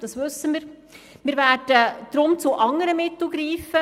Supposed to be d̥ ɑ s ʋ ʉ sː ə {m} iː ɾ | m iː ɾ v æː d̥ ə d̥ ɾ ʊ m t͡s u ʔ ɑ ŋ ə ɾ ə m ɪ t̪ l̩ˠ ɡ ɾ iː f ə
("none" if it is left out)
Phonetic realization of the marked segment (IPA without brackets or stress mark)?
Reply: m